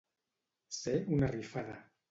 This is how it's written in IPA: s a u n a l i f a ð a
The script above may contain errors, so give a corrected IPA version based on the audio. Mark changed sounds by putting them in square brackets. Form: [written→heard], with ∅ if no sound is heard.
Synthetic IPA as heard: s [a→e] u n a [l→r] i f a ð a